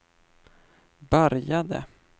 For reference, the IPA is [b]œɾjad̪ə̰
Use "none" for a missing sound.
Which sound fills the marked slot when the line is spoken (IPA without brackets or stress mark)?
b